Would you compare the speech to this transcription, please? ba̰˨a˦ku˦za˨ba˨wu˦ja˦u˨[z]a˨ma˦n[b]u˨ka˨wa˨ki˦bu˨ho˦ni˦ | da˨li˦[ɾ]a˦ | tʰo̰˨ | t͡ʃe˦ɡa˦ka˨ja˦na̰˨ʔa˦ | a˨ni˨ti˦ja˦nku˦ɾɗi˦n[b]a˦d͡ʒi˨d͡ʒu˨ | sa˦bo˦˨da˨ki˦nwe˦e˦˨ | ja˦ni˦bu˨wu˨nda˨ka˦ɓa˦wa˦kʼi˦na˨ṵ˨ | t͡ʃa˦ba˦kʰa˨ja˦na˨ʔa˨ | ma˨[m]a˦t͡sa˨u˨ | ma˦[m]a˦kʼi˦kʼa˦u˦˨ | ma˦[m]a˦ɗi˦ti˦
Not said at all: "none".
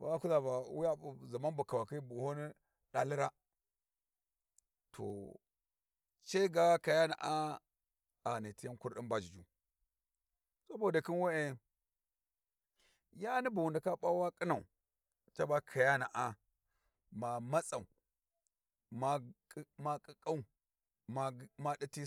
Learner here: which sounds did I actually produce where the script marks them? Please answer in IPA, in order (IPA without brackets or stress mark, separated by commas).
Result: z, b, ɾ, b, m, m, m